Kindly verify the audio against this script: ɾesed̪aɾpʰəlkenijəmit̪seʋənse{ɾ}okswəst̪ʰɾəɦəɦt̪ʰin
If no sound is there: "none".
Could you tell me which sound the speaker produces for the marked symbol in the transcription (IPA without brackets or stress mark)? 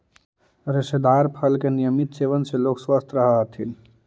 l